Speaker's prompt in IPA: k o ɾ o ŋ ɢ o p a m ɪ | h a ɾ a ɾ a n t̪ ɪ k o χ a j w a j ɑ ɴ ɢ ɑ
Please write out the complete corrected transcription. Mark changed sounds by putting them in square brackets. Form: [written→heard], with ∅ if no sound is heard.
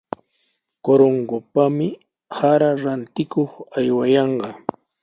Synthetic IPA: k o ɾ o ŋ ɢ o p a m ɪ | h a ɾ a ɾ a n t̪ ɪ k o χ a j w a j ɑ ɴ ɢ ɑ